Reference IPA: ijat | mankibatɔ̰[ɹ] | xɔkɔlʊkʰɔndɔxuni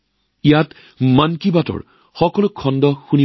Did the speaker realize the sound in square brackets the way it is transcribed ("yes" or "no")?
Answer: yes